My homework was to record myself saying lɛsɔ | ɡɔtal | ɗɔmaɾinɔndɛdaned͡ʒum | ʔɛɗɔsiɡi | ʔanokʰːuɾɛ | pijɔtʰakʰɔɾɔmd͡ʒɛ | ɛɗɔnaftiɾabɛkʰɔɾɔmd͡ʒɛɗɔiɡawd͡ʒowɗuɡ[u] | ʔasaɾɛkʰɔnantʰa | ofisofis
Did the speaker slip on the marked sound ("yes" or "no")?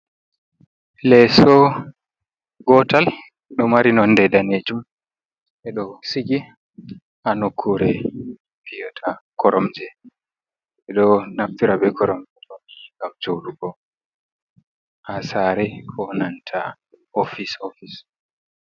yes